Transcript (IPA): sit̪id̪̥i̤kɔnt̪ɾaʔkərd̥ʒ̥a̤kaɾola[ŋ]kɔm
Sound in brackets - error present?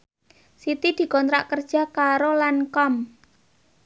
yes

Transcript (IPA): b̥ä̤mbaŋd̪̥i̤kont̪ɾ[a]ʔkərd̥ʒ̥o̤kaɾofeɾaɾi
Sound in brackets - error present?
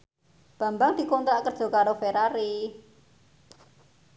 no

